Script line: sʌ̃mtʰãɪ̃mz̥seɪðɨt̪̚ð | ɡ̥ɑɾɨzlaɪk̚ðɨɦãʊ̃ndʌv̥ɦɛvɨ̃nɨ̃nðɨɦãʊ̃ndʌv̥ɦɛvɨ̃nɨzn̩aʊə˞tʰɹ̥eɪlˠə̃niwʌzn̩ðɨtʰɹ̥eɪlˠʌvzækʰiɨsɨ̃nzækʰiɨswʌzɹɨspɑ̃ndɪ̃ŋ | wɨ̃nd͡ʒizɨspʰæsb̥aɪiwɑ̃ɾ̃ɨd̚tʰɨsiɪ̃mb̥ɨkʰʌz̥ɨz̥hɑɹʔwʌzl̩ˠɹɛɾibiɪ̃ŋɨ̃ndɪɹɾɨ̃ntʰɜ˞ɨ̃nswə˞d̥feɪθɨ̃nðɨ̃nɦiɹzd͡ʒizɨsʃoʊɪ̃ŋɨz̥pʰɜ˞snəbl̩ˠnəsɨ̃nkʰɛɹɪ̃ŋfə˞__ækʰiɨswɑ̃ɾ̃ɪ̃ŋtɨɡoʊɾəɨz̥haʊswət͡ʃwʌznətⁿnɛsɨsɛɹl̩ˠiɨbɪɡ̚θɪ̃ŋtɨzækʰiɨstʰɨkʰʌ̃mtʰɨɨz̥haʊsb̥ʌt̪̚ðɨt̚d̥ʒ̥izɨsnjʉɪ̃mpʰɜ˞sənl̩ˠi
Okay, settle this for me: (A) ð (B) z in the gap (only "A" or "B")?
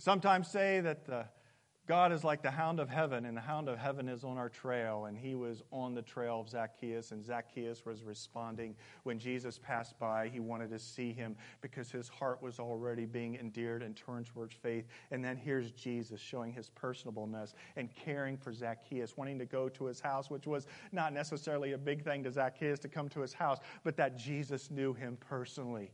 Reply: B